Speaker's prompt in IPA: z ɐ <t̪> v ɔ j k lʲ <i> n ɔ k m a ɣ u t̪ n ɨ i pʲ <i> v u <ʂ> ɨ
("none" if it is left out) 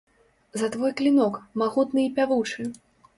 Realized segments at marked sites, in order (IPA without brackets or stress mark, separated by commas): t̪, i, a, t͡ʂ